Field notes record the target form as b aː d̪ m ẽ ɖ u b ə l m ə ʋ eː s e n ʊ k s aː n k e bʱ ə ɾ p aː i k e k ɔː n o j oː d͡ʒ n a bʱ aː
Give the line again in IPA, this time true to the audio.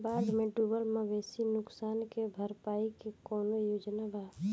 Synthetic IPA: b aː d̪ m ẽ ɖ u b ə l m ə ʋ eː s i n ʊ k s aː n k e bʱ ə ɾ p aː i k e k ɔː n o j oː d͡ʒ n a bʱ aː